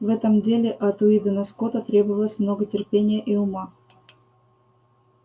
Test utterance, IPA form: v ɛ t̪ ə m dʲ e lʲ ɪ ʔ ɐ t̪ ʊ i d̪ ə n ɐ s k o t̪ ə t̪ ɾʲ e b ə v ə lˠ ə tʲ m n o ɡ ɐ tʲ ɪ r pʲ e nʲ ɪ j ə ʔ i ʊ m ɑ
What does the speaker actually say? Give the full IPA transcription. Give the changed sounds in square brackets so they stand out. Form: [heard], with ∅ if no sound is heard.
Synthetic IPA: v ɛ t̪ ə m dʲ e lʲ ɪ ʔ ɐ t̪ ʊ i d̪ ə n ɐ s k o t̪ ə t̪ ɾʲ e b ə v ə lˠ ə [sʲ] m n o ɡ [ə] tʲ ɪ r pʲ e nʲ ɪ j ə ʔ i ʊ m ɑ

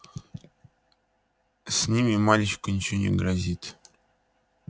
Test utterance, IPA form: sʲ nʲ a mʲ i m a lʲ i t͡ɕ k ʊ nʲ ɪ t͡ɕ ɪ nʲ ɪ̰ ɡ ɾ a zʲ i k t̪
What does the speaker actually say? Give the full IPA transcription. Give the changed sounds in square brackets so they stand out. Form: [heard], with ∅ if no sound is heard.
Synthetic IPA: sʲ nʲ [i] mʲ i m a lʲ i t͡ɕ k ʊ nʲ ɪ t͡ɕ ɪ nʲ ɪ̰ ɡ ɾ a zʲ i [∅] t̪

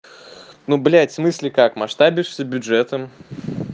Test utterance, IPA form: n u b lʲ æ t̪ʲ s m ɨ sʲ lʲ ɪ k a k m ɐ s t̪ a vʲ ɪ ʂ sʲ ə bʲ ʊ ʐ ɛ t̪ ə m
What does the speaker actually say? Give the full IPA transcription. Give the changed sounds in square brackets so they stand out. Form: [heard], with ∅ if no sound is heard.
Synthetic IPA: n u b lʲ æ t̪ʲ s m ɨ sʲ lʲ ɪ k a k m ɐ [ʂ] t̪ a [bʲ] ɪ ʂ sʲ ə bʲ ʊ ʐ ɛ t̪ ə m

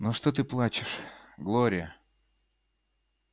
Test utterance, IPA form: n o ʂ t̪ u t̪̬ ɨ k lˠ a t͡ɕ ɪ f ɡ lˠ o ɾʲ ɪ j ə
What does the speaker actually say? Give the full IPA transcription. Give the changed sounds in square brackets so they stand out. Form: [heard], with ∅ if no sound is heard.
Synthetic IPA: n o ʂ t̪ [o] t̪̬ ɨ [p] lˠ a t͡ɕ ɪ [ʂ] ɡ lˠ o ɾʲ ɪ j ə

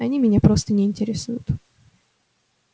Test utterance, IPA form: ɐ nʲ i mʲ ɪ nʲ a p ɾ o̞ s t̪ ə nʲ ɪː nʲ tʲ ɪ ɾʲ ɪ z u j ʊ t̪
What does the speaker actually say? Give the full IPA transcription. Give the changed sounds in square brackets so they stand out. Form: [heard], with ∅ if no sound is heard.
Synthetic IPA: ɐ nʲ i mʲ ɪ nʲ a p ɾ o̞ s t̪ ə nʲ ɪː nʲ tʲ ɪ ɾʲ ɪ [s] u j ʊ t̪

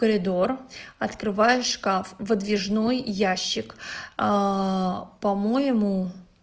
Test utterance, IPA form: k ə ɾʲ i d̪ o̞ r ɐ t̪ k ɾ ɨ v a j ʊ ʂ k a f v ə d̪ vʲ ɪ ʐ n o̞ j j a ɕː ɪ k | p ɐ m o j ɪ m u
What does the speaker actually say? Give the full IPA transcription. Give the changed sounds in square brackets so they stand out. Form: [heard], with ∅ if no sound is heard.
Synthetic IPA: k ə ɾʲ [ɪ] d̪ o̞ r ɐ t̪ k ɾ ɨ v a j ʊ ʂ k a f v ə d̪ vʲ ɪ ʐ n o̞ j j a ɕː ɪ k | p ɐ m o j ɪ m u

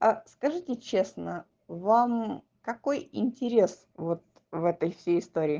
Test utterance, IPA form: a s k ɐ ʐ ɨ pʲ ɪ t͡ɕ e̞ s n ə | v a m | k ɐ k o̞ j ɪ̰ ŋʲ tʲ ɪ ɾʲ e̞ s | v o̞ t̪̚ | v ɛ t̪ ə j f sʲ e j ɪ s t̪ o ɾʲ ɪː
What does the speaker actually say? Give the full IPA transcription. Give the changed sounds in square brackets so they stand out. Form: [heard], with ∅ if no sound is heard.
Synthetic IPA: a s k ɐ ʐ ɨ [tʲ] ɪ t͡ɕ e̞ s n ə | v a m | k ɐ k o̞ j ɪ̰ [nʲ] tʲ ɪ ɾʲ e̞ s | v o̞ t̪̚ | v ɛ t̪ ə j f sʲ e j ɪ s t̪ o ɾʲ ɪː

